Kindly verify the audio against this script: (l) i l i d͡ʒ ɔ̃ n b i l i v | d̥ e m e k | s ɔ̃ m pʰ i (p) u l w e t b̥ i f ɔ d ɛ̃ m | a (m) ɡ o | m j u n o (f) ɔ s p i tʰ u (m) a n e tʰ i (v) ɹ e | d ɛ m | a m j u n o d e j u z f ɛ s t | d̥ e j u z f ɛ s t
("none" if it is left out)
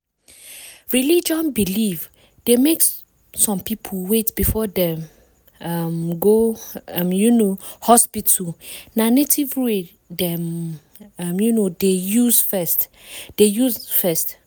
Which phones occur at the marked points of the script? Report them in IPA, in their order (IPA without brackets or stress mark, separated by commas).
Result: ɹ, pʰ, m, h, n, v